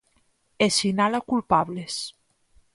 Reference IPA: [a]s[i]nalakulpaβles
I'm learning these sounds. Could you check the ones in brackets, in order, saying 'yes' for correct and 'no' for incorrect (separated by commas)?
no, yes